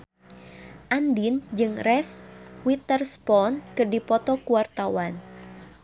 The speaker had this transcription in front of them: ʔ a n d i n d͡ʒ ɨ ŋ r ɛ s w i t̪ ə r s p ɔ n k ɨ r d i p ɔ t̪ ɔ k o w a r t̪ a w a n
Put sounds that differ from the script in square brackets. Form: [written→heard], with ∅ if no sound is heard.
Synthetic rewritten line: ʔ a n d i n d͡ʒ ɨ ŋ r ɛ s w i t̪ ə r s p ɔ n k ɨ r d i p ɔ t̪ ɔ k [o→u] w a r t̪ a w a n